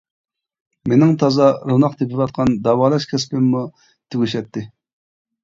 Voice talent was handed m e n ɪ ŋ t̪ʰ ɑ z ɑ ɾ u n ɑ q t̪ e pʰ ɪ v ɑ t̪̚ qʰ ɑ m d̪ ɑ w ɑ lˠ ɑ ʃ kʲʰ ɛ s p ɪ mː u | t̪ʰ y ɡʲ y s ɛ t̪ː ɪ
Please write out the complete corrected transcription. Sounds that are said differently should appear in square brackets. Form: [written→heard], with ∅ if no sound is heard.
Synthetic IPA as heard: m e n ɪ ŋ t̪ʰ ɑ z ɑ ɾ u n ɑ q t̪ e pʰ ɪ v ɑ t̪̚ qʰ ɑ [m→n] d̪ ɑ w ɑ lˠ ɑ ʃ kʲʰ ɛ s p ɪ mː u | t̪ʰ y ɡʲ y [s→ʃ] ɛ t̪ː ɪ